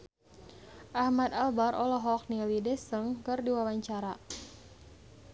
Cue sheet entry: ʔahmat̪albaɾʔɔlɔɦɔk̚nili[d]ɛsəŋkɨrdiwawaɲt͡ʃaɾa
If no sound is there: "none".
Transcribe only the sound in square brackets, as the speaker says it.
d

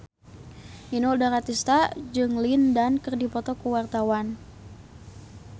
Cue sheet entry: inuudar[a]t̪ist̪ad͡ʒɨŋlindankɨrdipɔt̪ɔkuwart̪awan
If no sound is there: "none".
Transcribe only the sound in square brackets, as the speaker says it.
a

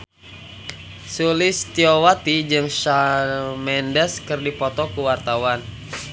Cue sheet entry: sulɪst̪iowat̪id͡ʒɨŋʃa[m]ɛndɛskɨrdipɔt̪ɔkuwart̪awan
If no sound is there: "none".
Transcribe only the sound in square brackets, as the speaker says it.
m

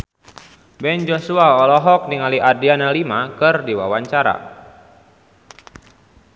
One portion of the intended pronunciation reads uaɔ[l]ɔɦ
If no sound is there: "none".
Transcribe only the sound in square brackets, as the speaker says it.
l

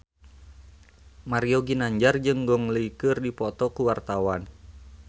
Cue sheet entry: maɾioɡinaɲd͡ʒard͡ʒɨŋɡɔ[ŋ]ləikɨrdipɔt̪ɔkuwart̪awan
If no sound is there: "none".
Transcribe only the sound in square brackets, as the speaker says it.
ŋ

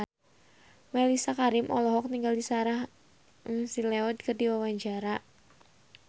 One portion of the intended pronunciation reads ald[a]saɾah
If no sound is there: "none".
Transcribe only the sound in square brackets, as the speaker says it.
i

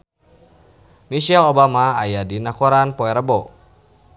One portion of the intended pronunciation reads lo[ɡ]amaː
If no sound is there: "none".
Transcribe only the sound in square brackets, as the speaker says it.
b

